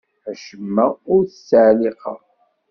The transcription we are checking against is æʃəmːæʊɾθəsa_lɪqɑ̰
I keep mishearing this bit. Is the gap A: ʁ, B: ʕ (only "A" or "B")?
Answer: B